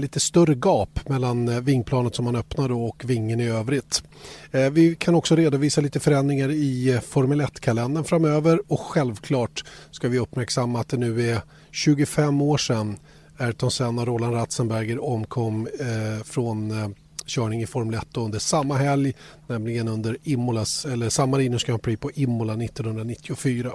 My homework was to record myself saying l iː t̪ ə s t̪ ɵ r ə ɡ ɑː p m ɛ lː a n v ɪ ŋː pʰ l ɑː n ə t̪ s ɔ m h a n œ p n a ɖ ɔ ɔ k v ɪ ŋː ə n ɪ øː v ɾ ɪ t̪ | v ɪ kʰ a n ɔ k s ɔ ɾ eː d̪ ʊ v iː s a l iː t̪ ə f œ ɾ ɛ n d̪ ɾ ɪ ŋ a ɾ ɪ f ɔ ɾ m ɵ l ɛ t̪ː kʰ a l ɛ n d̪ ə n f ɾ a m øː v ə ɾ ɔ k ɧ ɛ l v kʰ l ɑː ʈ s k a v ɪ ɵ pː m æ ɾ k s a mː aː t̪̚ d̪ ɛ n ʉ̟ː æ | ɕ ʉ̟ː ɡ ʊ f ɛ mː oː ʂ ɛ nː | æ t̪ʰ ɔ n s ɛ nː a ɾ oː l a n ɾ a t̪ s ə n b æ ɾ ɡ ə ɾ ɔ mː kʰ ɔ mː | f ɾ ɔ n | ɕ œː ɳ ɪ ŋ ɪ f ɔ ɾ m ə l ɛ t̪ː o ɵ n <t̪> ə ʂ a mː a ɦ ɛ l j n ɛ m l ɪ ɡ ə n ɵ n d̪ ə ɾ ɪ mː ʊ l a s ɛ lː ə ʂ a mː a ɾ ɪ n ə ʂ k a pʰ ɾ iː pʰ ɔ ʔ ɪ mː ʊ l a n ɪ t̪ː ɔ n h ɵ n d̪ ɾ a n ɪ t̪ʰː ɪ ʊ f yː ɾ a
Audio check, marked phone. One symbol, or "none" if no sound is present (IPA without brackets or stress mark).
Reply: d̪